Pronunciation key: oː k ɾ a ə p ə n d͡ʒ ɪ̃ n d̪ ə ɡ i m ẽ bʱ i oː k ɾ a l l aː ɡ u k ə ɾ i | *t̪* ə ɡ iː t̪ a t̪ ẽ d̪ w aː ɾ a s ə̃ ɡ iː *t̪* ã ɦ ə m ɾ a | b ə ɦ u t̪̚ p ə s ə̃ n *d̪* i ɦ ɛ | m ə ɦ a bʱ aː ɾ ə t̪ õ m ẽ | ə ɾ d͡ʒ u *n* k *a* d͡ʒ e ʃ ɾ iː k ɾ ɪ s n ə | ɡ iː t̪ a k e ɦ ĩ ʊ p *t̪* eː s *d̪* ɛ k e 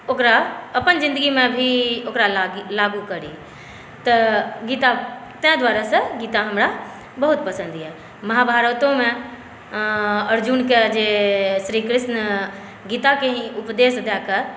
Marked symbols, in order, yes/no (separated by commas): yes, yes, yes, yes, no, no, yes